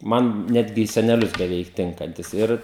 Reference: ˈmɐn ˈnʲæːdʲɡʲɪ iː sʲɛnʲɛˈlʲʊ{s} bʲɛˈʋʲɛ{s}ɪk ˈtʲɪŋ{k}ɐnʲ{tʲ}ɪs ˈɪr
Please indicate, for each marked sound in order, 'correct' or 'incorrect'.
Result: correct, incorrect: none, correct, correct

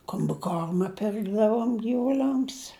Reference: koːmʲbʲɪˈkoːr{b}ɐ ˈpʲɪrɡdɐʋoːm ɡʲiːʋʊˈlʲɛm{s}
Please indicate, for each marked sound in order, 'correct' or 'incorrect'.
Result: incorrect: m, correct

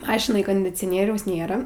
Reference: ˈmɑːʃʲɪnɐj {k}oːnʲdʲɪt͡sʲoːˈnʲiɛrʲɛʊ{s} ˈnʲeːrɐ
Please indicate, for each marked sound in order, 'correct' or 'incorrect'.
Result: correct, correct

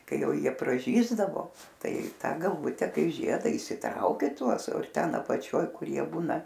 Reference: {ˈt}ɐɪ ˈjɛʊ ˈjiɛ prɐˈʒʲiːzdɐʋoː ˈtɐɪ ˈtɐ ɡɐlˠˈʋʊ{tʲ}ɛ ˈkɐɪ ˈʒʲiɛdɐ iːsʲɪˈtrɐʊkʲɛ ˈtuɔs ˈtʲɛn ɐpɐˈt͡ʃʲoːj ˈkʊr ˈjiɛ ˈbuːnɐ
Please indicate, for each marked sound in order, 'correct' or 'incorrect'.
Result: incorrect: k, correct

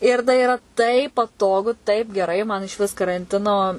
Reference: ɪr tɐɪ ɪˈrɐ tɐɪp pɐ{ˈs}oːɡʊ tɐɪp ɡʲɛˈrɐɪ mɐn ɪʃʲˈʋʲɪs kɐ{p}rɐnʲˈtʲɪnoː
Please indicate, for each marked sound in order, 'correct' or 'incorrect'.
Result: incorrect: t, incorrect: none

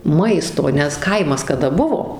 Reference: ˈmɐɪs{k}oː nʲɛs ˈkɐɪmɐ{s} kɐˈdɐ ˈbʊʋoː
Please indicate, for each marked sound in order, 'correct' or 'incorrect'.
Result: incorrect: t, correct

